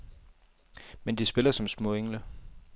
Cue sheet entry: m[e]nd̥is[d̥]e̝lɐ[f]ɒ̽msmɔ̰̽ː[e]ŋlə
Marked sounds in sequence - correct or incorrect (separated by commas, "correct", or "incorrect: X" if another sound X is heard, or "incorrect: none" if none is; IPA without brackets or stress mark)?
correct, incorrect: b̥, incorrect: s, correct